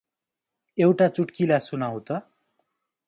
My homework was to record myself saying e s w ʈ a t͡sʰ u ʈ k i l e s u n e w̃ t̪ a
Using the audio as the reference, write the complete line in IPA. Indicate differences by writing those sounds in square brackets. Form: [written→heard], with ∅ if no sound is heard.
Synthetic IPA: e [s→∅] w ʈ a [t͡sʰ→t͡s] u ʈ k i l [e→a] s u n [e→a] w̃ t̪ [a→ʌ]